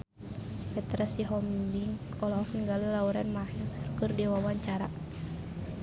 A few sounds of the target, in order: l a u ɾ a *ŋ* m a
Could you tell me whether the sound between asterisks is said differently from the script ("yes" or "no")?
yes